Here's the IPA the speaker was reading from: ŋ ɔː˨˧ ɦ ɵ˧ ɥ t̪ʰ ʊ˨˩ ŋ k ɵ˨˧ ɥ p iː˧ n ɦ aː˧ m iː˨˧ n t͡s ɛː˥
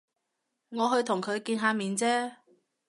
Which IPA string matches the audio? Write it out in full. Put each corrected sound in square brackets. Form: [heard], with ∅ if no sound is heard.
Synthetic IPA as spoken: ŋ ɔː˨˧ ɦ ɵ˧ ɥ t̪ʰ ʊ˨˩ ŋ [kʰ] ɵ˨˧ ɥ [k] iː˧ n ɦ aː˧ m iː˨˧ n t͡s ɛː˥